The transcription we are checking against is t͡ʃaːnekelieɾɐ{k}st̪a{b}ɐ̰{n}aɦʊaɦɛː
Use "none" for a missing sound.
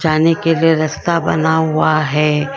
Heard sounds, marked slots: none, b, n

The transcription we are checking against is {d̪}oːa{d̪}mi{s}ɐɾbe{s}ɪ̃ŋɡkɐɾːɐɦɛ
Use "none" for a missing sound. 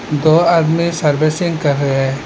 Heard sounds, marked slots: d̪, d̪, s, s

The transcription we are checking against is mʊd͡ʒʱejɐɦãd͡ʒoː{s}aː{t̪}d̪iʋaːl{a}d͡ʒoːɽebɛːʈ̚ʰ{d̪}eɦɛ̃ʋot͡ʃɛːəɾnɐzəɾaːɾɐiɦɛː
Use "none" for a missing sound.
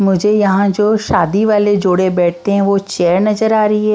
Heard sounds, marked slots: ʃ, none, e, t̪

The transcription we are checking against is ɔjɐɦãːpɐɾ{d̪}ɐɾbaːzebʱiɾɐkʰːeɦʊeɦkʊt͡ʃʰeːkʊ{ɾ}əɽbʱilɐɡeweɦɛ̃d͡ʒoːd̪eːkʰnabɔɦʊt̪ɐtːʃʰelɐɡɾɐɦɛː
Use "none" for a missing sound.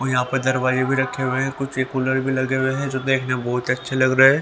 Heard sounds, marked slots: d̪, l

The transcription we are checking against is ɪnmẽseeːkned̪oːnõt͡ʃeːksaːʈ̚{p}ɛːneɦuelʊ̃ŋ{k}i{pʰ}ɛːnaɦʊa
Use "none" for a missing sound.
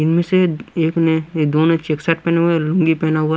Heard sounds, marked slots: p, ɡ, p

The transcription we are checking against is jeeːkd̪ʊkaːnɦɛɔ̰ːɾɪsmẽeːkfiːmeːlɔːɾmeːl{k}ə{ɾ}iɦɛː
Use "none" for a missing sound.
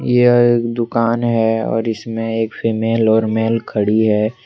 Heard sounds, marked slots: kʰ, ɽ

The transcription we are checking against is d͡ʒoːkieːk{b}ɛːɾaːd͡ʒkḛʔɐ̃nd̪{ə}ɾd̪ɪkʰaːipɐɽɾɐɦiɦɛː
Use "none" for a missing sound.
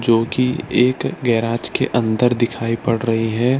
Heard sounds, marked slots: ɡ, ə

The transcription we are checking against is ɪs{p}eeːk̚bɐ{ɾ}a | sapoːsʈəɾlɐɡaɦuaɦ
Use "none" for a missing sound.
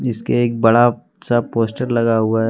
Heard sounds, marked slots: k, ɽ

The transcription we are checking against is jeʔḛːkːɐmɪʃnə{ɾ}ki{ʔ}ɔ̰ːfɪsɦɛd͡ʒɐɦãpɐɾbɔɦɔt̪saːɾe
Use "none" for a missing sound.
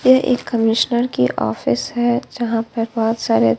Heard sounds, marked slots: ɾ, ʔ

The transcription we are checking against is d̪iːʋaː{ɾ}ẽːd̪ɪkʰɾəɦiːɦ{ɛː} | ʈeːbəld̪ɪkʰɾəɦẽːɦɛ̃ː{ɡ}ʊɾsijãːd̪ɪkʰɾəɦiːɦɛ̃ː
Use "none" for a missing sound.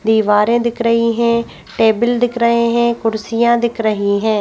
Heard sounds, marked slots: ɾ, ɛ̃ː, k

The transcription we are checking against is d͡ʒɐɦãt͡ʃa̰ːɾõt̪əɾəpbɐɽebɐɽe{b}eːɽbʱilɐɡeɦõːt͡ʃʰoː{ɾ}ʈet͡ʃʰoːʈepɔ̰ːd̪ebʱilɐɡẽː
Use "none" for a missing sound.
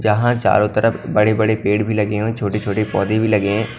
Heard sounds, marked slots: p, none

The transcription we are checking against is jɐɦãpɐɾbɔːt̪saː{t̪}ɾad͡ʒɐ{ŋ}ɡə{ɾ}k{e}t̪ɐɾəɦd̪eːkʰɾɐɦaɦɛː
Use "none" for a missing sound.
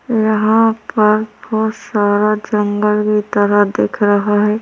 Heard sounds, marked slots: none, ŋ, l, i

